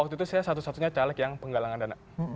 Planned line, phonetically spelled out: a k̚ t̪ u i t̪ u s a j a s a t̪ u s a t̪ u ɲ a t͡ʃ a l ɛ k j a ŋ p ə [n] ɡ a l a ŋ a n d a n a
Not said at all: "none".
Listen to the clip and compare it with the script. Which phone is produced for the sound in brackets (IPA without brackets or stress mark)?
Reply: ŋ